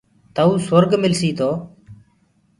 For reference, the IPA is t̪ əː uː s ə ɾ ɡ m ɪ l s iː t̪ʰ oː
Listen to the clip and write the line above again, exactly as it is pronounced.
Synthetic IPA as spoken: t̪ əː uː s ə ɾ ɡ m ɪ l s iː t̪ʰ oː